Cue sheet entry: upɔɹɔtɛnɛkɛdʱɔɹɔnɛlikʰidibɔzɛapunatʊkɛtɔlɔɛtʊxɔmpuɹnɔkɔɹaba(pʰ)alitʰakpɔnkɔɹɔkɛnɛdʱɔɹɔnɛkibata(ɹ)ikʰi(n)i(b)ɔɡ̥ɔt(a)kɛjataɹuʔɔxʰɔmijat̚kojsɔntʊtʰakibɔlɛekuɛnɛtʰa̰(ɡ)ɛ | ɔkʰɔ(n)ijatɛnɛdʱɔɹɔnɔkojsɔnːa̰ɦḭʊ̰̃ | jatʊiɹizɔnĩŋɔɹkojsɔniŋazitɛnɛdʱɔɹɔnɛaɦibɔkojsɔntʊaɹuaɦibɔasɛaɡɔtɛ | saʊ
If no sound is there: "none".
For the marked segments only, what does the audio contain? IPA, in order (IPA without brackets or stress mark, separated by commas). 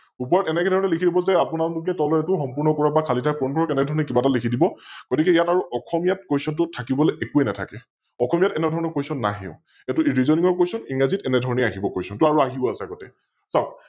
kʰ, l, d, b, i, k, m